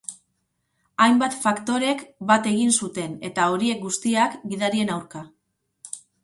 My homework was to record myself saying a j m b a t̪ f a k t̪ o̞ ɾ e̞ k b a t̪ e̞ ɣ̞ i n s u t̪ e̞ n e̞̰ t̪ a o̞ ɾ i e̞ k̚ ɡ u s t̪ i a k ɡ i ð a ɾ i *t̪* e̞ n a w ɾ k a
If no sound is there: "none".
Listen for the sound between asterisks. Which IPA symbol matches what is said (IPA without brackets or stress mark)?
none